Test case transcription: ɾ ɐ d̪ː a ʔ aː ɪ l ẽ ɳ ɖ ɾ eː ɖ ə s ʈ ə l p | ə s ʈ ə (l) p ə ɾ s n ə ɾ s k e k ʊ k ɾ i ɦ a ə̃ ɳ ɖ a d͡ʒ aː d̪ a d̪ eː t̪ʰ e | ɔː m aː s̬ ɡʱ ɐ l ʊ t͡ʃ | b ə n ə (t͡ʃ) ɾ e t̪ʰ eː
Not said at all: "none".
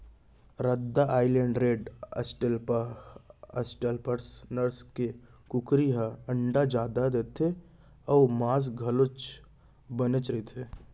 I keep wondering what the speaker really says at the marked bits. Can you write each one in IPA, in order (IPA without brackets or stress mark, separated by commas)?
l, t͡ʃ